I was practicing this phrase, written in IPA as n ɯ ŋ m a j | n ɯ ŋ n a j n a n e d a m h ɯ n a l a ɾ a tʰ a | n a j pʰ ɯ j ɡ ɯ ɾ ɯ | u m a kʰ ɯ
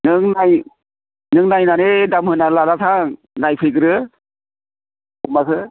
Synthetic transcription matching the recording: n ɯ ŋ n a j | n ɯ ŋ n a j n a n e d a m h ɯ n a l a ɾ a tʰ a | n a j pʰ ɯ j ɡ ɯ ɾ ɯ | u m a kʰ ɯ